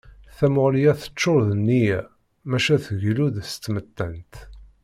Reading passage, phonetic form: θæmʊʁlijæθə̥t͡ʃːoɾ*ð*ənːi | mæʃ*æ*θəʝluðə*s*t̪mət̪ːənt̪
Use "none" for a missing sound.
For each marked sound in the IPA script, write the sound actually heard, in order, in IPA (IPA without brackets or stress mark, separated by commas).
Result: ð, æ, s